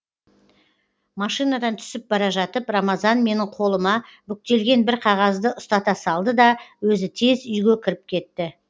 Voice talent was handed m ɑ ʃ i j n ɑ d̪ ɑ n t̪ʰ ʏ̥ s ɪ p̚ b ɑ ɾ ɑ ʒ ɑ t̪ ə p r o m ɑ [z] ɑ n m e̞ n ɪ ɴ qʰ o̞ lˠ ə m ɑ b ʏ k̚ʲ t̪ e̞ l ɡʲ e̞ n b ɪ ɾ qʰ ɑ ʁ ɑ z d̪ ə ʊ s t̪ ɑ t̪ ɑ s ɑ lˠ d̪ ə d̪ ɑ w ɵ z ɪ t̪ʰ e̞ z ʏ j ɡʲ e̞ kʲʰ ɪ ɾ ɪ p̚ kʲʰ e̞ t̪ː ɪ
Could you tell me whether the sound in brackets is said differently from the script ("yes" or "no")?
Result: no